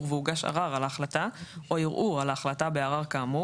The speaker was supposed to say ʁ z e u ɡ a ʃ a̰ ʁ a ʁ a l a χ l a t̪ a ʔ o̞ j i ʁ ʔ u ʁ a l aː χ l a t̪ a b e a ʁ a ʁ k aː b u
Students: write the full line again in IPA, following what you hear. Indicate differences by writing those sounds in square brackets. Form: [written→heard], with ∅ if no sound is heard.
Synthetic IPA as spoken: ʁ [z→v] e u ɡ a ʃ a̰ ʁ a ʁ a l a χ l a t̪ a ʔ o̞ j i ʁ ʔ u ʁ a l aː χ l a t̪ a b e a ʁ a ʁ k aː [b→m] u